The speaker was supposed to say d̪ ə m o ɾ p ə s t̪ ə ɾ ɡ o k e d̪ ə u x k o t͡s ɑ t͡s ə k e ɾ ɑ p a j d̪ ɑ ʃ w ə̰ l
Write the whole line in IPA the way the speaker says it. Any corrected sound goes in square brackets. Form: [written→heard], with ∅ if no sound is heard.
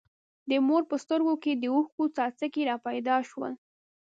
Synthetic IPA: d̪ ə m o ɾ p ə s t̪ ə ɾ ɡ o k e d̪ ə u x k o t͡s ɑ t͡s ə k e ɾ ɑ p a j d̪ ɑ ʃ w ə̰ l